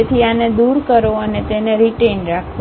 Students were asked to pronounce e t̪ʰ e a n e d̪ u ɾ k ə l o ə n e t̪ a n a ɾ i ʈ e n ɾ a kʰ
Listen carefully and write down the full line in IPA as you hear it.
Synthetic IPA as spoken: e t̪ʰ i a n e d̪ u ɾ k ə ɾ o ə n e t̪ e n e ɾ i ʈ e n ɾ a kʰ